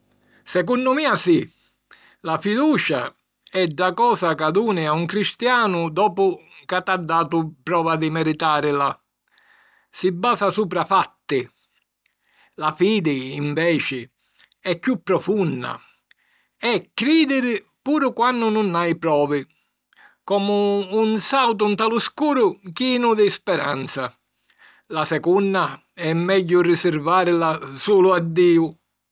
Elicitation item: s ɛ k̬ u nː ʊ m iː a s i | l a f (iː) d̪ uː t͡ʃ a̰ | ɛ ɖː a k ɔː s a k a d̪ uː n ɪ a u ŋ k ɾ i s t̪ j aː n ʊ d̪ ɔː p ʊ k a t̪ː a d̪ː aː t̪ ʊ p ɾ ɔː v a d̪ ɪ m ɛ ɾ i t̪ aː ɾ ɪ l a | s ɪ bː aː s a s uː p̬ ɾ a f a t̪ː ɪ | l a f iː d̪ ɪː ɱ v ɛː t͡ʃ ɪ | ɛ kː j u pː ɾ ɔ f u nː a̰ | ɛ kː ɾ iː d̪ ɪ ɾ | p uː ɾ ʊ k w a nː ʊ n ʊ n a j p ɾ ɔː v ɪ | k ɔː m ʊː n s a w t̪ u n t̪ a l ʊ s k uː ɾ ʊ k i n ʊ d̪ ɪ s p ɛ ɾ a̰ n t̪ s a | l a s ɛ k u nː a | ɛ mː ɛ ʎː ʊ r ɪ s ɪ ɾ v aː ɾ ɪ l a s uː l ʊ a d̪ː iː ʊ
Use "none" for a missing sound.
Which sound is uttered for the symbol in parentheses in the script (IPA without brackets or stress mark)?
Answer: i